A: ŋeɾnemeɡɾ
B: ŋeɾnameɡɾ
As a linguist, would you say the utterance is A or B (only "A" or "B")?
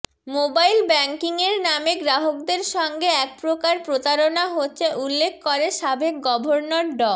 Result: B